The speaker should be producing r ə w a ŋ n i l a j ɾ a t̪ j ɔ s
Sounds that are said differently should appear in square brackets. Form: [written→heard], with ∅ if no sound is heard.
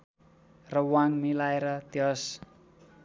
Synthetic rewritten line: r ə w a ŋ [n→m] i l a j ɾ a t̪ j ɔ s